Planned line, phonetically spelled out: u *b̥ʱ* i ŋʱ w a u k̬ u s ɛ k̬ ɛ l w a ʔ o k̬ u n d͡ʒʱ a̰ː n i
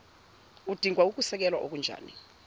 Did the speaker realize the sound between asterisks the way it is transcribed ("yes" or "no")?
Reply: no